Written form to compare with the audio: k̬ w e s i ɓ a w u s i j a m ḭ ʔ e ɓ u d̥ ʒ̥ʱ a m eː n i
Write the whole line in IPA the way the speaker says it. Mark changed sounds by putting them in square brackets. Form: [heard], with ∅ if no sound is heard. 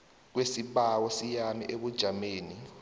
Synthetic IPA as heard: k̬ w e s i ɓ a w [ɔ] s i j a m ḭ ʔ e ɓ u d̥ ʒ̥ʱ a m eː n i